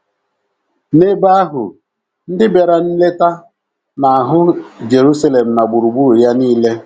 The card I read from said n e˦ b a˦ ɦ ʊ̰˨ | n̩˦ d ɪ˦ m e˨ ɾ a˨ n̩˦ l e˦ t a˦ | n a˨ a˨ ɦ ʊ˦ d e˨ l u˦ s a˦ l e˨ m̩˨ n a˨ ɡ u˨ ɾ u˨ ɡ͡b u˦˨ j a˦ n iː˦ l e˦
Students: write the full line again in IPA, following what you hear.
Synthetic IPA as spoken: n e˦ b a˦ ɦ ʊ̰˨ | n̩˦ d ɪ˦ b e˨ ɾ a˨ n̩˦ l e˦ t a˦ | n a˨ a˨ ɦ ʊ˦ d͡ʒ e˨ ɾ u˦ s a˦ l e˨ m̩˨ n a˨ ɡ͡b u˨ ɾ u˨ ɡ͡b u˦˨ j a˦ n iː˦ l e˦